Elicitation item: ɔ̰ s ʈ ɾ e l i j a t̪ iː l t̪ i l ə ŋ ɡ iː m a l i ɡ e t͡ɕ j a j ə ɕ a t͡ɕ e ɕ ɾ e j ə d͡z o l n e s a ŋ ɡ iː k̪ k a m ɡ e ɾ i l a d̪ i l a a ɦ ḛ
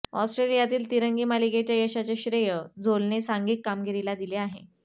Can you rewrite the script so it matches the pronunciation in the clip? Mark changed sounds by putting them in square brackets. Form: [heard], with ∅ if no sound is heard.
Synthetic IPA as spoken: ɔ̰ s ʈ ɾ e l i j a t̪ iː l t̪ i [ɾ] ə ŋ ɡ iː m a l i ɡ e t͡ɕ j a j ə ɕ a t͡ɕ e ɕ ɾ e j ə d͡z o l n e s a ŋ ɡ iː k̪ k a m ɡ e ɾ i l a d̪ i l [e] a ɦ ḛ